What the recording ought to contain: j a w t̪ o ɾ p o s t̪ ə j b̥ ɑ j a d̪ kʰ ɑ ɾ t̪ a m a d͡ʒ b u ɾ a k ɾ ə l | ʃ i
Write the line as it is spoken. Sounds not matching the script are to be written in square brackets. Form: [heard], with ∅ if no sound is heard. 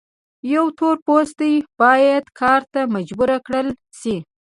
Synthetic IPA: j a w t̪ o ɾ p o s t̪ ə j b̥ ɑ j a d̪ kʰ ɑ ɾ t̪ a m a d͡ʒ b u ɾ a k [ɽ] ə l | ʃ i